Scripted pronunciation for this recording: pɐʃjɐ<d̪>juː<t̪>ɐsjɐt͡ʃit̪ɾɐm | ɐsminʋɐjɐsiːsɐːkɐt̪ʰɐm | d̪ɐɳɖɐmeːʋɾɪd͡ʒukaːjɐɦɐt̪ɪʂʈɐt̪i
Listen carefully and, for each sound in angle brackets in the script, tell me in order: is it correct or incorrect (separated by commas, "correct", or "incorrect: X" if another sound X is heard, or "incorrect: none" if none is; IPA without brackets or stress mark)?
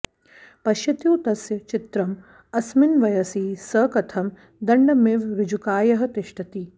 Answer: incorrect: t̪, correct